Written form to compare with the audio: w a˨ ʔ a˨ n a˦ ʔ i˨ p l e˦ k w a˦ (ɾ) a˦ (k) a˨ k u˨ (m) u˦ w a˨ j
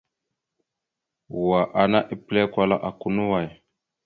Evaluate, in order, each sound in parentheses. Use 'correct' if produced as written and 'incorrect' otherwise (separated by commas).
incorrect, incorrect, incorrect